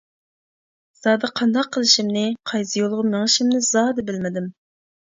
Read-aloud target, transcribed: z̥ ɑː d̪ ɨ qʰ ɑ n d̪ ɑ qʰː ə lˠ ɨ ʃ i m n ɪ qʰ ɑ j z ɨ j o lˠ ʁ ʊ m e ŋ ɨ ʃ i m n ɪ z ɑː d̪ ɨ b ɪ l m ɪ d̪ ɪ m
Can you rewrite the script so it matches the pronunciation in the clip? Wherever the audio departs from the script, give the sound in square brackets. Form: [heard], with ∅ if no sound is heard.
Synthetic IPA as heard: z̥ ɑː d̪ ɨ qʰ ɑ n d̪ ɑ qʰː ə lˠ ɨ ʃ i m n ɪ qʰ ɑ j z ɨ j o lˠ ʁ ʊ m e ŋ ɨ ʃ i m n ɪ z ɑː d̪ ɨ b ɪ l m ɪ d̪ ɪ m